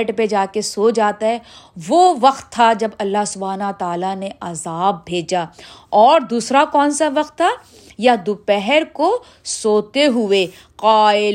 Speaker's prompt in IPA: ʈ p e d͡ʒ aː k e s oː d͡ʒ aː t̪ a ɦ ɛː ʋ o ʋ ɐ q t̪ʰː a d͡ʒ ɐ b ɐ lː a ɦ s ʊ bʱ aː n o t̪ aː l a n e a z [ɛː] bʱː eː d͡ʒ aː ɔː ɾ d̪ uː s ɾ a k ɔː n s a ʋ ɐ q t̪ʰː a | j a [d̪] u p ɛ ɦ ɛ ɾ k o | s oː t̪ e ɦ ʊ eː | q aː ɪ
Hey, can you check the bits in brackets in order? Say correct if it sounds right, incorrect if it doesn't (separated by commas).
incorrect, correct